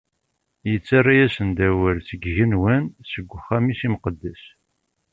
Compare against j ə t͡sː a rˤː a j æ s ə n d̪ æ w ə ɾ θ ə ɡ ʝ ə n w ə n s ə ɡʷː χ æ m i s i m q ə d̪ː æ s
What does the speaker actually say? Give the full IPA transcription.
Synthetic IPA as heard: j ə t͡sː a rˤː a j æ s ə n d̪ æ w ə ɾ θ ə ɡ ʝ ə n w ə n s ə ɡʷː χ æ m i s i m q ə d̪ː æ s